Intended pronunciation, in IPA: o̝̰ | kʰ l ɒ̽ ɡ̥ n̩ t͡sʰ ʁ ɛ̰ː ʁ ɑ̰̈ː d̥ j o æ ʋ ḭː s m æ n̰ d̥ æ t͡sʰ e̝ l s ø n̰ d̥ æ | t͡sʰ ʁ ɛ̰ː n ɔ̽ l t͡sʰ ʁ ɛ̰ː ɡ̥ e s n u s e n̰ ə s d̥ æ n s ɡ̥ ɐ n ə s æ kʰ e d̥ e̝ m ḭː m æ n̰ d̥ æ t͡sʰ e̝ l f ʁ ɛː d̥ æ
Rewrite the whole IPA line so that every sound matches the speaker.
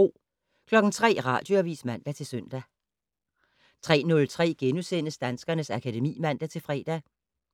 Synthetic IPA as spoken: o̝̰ | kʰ l ɒ̽ ɡ̥ n̩ t͡sʰ ʁ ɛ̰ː ʁ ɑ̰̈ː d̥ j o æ ʋ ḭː s m æ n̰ d̥ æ t͡sʰ e̝ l s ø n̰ d̥ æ | t͡sʰ ʁ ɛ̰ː n ɔ̽ l t͡sʰ ʁ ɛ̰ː ɡ̥ e n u s e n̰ ə s d̥ æ n s ɡ̥ ɐ n ə s æ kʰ æ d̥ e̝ m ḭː m æ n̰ d̥ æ t͡sʰ e̝ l f ʁ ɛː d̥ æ